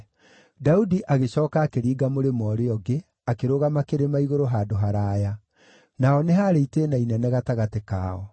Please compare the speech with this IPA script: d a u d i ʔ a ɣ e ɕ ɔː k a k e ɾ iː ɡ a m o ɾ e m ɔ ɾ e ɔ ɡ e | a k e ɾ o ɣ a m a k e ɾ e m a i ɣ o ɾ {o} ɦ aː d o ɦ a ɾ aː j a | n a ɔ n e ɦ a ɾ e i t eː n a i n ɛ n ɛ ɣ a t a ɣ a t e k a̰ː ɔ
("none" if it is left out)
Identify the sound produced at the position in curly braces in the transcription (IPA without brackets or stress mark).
o